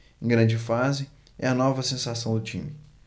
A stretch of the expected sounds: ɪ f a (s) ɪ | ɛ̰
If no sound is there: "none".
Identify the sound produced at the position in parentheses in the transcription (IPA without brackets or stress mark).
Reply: z